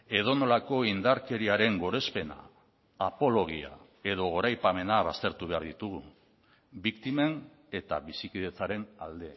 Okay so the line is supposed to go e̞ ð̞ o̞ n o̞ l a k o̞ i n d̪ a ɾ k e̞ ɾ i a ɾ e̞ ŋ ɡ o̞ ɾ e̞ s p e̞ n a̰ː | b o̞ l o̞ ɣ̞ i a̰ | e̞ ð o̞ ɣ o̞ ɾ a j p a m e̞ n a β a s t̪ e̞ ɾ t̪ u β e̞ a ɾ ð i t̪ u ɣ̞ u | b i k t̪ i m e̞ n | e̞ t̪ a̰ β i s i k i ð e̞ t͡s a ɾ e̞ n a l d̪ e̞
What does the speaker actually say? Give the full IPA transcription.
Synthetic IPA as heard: e̞ ð̞ o̞ n o̞ l a k o̞ i n d̪ a ɾ k e̞ ɾ i a ɾ e̞ ŋ ɡ o̞ ɾ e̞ s p e̞ n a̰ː | p o̞ l o̞ ɣ̞ i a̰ | e̞ ð o̞ ɣ o̞ ɾ a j p a m e̞ n a β a s t̪ e̞ ɾ t̪ u β e̞ a ɾ ð i t̪ u ɣ̞ u | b i k t̪ i m e̞ n | e̞ t̪ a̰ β i s i k i ð e̞ t͡s a ɾ e̞ n a l d̪ e̞